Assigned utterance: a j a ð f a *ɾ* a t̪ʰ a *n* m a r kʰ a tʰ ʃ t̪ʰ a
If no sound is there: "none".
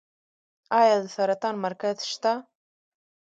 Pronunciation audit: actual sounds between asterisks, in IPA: ɾ, n

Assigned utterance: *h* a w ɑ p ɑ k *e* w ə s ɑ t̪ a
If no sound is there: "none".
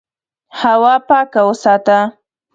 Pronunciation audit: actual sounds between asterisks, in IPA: h, a

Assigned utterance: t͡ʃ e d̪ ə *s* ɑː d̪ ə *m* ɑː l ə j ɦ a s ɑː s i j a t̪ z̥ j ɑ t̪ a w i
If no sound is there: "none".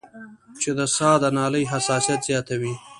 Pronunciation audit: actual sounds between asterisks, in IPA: s, n

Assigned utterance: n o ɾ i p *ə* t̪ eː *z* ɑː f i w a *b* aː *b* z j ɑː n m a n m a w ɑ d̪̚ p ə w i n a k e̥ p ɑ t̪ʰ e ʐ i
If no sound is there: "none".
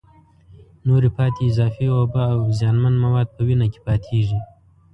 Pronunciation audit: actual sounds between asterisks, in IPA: ɑ, z, b, w

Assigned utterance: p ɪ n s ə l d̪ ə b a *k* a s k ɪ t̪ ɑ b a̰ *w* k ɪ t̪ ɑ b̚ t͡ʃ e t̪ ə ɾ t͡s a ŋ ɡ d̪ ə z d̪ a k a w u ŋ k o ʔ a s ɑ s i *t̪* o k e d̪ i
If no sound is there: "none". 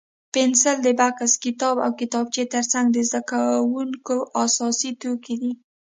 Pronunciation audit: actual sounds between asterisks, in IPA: k, w, t̪

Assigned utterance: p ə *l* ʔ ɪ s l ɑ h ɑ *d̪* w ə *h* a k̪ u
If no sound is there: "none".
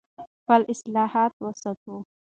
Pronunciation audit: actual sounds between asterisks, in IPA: l, t̪, s

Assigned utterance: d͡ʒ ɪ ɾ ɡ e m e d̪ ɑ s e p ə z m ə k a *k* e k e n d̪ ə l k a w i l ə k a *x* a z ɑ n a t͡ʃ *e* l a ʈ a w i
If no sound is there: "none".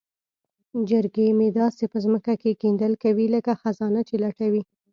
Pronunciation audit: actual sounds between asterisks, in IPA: k, x, e

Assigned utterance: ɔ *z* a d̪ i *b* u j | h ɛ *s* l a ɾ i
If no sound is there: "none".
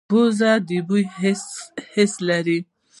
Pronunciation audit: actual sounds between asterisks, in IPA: z, b, s

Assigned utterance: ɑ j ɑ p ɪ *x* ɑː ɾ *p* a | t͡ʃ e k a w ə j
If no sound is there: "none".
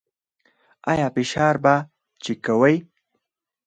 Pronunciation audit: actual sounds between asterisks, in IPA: ʃ, b

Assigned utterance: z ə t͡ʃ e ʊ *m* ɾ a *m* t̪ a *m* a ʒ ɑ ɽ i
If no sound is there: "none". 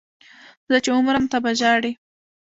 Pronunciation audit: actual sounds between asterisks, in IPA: m, m, b

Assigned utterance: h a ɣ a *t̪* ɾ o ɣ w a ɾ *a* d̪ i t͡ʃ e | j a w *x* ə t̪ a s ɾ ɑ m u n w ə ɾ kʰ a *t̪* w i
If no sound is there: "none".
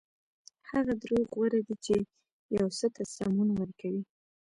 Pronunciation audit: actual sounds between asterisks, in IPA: d̪, a, s, none

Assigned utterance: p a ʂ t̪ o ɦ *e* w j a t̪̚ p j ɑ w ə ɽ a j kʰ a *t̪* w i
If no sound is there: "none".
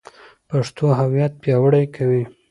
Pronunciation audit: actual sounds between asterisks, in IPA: a, none

